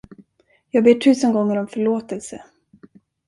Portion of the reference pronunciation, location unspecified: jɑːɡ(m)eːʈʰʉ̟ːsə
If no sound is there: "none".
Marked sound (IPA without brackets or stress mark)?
b